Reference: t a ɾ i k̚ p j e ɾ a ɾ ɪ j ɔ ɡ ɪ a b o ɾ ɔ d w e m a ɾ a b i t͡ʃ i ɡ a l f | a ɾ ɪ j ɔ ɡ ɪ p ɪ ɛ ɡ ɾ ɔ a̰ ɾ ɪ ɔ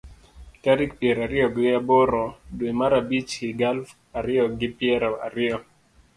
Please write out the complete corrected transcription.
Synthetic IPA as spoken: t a ɾ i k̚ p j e ɾ a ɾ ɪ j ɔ ɡ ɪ a b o ɾ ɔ d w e m a ɾ a b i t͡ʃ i ɡ a l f | a ɾ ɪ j ɔ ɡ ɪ p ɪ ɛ ɾ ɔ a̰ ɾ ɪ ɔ

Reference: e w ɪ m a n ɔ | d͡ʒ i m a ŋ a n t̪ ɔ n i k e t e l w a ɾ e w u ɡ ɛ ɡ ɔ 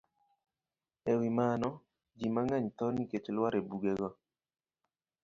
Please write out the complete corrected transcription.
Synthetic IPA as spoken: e w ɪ m a n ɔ | d͡ʒ i m a ŋ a ɲ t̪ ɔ n i k e t͡ʃ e l w a ɾ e b u ɡ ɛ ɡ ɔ

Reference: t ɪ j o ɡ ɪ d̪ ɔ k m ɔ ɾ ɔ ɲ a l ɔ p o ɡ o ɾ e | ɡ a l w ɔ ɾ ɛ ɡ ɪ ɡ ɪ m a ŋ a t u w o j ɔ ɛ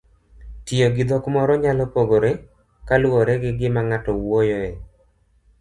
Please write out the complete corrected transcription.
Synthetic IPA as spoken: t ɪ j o ɡ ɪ d̪ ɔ k m ɔ ɾ ɔ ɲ a l ɔ p o ɡ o ɾ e | k a l w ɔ ɾ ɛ ɡ ɪ ɡ ɪ m a ŋ a t ɔ w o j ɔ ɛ

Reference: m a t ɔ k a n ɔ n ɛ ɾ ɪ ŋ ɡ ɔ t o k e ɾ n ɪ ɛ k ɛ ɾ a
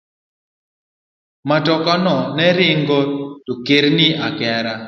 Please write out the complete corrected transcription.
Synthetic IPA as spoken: m a t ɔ k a n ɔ n ɛ ɾ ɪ ŋ ɡ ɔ t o k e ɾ n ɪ a k ɛ ɾ a

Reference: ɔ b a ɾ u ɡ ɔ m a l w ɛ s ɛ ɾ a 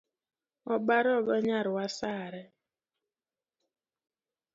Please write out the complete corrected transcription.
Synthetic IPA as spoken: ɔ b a ɾ ɔ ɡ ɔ ɲ a ɾ w a s a ɾ ɛ

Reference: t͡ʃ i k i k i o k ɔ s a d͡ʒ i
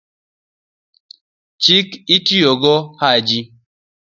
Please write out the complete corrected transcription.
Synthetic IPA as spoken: t͡ʃ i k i t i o ɡ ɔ h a d͡ʒ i

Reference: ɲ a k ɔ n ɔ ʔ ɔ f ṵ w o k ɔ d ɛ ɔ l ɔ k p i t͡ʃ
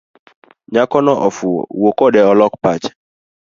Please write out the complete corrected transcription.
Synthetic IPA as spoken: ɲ a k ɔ n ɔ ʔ ɔ f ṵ w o k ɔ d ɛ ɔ l ɔ k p a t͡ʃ

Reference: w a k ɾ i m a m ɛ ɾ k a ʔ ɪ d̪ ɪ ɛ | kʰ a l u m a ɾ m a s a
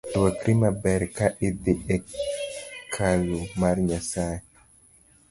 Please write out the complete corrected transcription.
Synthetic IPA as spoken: w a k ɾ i m a b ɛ ɾ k a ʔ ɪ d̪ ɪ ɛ | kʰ a l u m a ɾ ɲ a s a

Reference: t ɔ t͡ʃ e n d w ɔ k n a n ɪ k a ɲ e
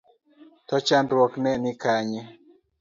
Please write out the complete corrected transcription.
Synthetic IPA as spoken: t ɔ t͡ʃ a n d w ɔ k n ɛ n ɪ k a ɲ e

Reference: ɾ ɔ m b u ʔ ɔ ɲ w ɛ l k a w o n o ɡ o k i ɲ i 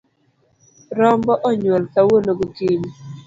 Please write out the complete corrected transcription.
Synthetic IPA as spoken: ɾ ɔ m b ɔ ʔ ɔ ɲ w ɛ l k a w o n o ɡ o k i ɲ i

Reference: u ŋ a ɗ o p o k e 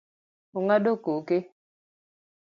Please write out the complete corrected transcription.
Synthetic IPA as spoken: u ŋ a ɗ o k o k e

